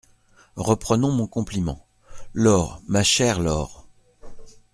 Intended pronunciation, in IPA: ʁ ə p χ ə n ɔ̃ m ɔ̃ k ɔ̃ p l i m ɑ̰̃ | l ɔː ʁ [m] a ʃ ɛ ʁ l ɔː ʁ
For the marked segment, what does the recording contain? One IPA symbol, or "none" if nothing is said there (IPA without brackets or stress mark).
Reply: m